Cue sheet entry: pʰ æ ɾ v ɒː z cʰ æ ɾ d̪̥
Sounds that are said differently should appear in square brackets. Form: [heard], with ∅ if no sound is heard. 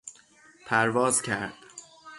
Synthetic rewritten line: pʰ æ ɾ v ɒː z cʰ æ ɾ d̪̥

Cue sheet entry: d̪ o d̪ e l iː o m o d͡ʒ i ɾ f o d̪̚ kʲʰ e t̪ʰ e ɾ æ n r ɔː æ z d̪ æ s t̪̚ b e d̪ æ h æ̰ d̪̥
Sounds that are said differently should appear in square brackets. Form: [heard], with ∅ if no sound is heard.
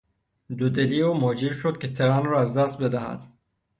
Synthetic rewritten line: d̪ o d̪ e l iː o m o d͡ʒ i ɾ [ʃ] o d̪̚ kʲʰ e t̪ʰ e ɾ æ n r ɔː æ z d̪ æ s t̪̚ b e d̪ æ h æ̰ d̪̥

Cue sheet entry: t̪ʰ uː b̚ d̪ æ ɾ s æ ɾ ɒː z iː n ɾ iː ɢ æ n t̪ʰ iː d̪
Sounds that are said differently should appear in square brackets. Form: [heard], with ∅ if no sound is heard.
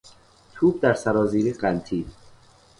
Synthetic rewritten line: t̪ʰ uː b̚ d̪ æ ɾ s æ ɾ ɒː z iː [∅] ɾ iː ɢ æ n t̪ʰ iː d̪

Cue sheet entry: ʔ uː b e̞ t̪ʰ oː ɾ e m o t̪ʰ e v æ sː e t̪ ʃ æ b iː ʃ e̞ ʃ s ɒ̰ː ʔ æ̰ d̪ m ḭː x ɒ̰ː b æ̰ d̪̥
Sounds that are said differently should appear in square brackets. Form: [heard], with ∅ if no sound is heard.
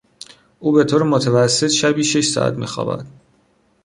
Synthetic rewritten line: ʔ uː b e̞ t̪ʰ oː ɾ e m o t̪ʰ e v æ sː e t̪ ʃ æ b iː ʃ e̞ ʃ s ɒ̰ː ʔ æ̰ [t̪] m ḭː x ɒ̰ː b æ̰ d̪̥

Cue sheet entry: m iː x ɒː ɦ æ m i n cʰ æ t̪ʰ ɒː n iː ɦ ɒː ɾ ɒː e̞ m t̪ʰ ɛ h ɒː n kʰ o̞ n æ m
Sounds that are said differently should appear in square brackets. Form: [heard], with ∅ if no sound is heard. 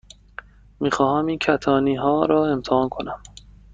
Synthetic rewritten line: m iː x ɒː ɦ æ m i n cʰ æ t̪ʰ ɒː n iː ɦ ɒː ɾ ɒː e̞ m t̪ʰ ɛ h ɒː n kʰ o̞ n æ m

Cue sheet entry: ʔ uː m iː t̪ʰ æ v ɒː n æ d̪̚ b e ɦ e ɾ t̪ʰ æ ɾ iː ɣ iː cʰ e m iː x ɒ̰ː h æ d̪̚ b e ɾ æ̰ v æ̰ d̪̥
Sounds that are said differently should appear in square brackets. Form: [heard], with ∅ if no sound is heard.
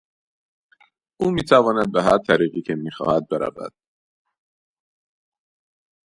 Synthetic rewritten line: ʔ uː m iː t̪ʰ æ v ɒː n æ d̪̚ b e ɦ [æ] ɾ t̪ʰ æ ɾ iː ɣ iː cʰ e m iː x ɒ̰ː h æ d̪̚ b e ɾ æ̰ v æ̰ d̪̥

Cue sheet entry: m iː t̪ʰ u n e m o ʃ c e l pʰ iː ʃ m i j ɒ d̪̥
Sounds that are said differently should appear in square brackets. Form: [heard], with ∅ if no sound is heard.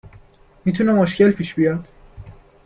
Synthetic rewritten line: m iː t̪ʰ u n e m o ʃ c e l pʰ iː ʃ [b] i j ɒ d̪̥

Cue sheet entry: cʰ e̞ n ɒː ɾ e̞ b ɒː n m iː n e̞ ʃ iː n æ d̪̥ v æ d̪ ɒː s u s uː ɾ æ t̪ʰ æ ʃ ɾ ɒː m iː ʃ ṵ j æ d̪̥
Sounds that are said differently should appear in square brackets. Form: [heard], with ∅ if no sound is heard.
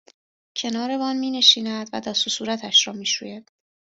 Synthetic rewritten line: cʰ e̞ n ɒː ɾ e̞ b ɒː n m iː n e̞ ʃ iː n æ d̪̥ v æ d̪ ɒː s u s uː ɾ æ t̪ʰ æ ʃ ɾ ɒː m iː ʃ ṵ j æ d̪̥

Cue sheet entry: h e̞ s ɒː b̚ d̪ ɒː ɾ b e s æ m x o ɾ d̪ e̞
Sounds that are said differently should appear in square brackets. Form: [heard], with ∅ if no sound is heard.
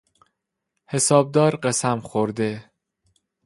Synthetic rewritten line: h e̞ s ɒː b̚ d̪ ɒː ɾ [ɢ] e s æ m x o ɾ d̪ e̞

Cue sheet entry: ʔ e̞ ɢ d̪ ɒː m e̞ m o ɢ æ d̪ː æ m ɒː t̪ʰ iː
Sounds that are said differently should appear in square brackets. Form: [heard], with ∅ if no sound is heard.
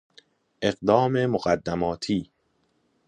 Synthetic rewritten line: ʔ e̞ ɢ d̪ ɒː m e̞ m o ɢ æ d̪ː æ m ɒː t̪ʰ iː

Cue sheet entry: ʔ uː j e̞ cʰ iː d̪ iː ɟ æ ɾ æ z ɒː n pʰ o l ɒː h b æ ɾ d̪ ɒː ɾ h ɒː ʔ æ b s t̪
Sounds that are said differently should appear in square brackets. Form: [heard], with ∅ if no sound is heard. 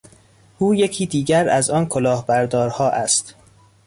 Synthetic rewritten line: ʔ uː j e̞ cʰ iː d̪ iː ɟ æ ɾ æ z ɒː n [kʰ] o l ɒː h b æ ɾ d̪ ɒː ɾ h ɒː ʔ æ [∅] s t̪

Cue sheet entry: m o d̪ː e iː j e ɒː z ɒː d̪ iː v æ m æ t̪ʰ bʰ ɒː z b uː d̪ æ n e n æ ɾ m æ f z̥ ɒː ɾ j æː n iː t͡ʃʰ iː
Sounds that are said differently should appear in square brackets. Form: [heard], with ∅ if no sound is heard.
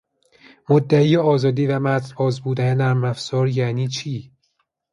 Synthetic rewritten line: m o d̪ː [æ] iː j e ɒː z ɒː d̪ iː v æ m æ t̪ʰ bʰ ɒː z b uː d̪ æ n e n æ ɾ m æ f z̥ ɒː ɾ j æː n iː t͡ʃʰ iː

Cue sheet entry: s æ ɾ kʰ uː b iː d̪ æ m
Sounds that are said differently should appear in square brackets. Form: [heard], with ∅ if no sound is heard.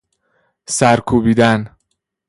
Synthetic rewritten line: s æ ɾ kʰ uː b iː d̪ æ [n]

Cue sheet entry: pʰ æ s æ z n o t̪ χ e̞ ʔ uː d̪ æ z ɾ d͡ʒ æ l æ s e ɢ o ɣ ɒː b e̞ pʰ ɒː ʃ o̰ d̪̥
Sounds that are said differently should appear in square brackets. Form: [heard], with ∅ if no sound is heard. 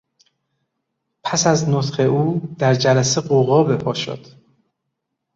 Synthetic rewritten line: pʰ æ s æ z n o t̪ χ e̞ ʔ uː d̪ æ [∅] ɾ d͡ʒ æ l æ s e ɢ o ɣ ɒː b e̞ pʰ ɒː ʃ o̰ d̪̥

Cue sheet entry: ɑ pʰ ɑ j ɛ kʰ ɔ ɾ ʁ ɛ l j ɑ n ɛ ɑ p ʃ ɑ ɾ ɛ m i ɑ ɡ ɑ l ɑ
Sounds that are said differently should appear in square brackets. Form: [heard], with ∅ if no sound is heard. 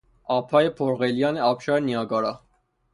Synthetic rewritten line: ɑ pʰ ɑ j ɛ [pʰ] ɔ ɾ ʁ ɛ l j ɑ n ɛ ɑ p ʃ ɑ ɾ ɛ [n] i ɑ ɡ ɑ [ɾ] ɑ

